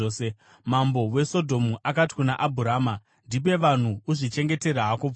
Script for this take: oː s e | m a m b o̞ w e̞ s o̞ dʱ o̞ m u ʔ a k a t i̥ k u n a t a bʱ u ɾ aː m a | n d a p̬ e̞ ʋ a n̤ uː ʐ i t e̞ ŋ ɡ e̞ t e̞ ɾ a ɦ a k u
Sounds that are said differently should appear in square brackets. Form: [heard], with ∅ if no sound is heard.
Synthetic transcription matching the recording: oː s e | m a m b o̞ w e̞ s o̞ dʱ o̞ m u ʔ a k a t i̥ k u n a [ʔ] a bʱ u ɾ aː m a | n d [i] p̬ e̞ ʋ a n̤ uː ʐ i [t͡ʃ] e̞ ŋ ɡ e̞ t e̞ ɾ a ɦ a k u